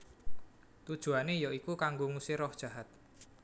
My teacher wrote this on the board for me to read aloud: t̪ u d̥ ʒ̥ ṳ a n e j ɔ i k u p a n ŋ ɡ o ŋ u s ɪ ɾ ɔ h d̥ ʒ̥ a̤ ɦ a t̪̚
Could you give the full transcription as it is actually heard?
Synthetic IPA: t̪ u d̥ ʒ̥ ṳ a n e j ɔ i k u k a ŋ ɡ o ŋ u s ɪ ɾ ɔ h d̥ ʒ̥ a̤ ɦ a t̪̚